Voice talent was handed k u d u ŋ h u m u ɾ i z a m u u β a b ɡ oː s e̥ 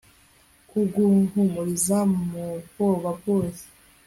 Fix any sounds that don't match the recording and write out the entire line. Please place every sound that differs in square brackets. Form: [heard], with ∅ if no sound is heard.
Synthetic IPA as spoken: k u [ɡ] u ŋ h u m u ɾ i z a m u [o] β a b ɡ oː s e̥

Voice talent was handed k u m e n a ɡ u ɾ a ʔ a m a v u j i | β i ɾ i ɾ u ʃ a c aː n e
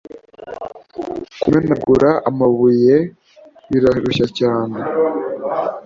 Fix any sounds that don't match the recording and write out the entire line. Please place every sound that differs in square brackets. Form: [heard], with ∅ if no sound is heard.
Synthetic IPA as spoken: k u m e n a ɡ u ɾ a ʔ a m a [β] u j [e] | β i ɾ [a] ɾ u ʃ a c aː n e

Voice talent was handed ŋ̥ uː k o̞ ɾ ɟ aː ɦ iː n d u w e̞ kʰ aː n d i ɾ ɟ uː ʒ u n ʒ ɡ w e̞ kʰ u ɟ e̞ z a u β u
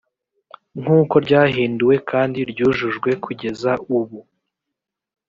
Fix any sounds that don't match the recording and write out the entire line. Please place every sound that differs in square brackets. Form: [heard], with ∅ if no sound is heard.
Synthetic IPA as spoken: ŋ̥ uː k o̞ ɾ ɟ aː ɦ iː n d u w e̞ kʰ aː n d i ɾ ɟ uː ʒ u [∅] ʒ ɡ w e̞ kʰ u ɟ e̞ z a u β u

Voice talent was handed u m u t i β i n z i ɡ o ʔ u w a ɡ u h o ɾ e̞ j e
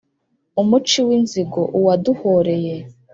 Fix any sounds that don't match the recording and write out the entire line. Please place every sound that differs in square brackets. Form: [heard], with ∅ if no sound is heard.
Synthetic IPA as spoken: u m u [t͡ʃ] i [w] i n z i ɡ o ʔ u w a [d] u h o ɾ e̞ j e

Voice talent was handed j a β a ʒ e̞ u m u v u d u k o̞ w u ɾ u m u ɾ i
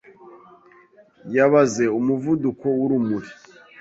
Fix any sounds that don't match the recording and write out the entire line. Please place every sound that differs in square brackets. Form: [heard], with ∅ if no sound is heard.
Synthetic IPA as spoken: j a β a [z] e̞ u m u v u d u k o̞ w u ɾ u m u ɾ i

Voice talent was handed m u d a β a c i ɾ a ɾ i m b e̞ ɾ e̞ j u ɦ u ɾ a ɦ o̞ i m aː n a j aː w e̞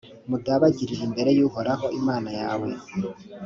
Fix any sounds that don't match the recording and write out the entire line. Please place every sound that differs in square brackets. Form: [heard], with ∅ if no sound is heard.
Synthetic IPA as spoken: m u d a β a [ɟ] i ɾ [i] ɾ i m b e̞ ɾ e̞ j u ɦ [o] ɾ a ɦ o̞ i m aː n a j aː w e̞

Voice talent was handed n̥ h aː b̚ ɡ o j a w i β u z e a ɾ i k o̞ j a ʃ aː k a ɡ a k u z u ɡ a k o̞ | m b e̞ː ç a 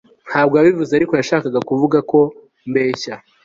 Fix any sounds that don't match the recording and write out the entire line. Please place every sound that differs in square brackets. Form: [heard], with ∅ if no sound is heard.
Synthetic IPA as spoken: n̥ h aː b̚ ɡ o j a [β] i [v] u z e a ɾ i k o̞ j a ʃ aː k a ɡ a k u [v] u ɡ a k o̞ | m b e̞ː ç a

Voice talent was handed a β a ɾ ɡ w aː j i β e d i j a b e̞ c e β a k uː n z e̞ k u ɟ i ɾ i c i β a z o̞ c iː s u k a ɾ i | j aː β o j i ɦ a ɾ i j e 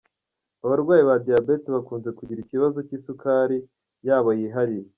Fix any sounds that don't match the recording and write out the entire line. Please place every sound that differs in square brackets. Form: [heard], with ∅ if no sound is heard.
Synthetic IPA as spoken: a β a ɾ ɡ w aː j i β [a] d i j a b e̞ [t] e β a k uː n z e̞ k u ɟ i ɾ i c i β a z o̞ c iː s u k a ɾ i | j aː β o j i ɦ a ɾ i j e

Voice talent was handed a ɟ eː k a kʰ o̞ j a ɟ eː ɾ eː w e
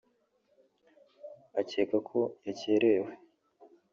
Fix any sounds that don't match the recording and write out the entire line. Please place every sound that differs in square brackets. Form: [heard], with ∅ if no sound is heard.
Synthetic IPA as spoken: a [c] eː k a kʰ o̞ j a [c] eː ɾ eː w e

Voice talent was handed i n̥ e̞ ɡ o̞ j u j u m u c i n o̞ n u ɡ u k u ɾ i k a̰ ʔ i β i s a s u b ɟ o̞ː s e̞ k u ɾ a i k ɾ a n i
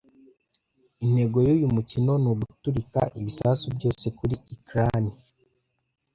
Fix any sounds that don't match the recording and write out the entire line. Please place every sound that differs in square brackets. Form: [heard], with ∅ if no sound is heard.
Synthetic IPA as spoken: i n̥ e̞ ɡ o̞ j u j u m u c i n o̞ n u ɡ u [t] u ɾ i k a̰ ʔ i β i s a s u b ɟ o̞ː s e̞ k u ɾ [i] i k ɾ a n i

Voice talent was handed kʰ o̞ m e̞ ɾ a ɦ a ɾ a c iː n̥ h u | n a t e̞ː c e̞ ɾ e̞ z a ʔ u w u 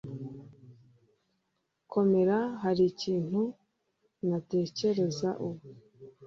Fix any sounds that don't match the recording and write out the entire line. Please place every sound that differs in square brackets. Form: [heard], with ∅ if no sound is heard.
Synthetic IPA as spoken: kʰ o̞ m e̞ ɾ a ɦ a ɾ [i] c iː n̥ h u | n a t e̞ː c e̞ ɾ e̞ z a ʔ u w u

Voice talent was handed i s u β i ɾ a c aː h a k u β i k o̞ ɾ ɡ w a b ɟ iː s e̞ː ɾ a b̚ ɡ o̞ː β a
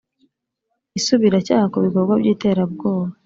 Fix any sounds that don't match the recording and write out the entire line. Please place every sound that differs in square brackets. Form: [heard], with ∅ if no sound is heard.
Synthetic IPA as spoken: i s u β i ɾ a c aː h a k u β i k o̞ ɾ ɡ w a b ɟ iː [t] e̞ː ɾ a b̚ ɡ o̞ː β a

